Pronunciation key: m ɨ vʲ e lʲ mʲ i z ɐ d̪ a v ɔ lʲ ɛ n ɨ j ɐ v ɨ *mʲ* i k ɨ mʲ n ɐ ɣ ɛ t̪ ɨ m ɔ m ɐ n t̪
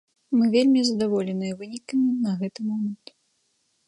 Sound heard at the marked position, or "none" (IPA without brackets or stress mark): nʲ